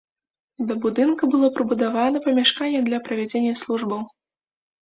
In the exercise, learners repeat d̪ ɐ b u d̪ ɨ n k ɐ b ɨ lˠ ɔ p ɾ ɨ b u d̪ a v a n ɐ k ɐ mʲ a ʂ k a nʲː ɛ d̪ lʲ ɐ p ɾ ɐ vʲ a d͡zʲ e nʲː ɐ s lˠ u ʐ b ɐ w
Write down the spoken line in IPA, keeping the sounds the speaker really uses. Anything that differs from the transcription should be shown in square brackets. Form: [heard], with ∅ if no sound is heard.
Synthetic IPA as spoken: d̪ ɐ b u d̪ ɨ n k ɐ b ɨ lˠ ɔ p ɾ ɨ b u d̪ a v a n ɐ [p] ɐ mʲ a ʂ k a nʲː ɛ d̪ lʲ ɐ p ɾ ɐ vʲ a d͡zʲ e nʲː ɐ s lˠ u ʐ b ɐ w